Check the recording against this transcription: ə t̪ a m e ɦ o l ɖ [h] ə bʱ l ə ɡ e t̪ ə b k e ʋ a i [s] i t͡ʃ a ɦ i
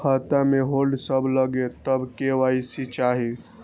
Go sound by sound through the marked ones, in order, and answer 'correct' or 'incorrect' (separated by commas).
incorrect, correct